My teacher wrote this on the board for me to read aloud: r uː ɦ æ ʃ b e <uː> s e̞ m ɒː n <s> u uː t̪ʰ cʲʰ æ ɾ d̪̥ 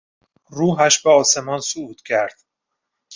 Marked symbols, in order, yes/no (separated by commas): no, yes